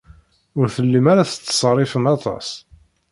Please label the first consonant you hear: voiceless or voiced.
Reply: voiced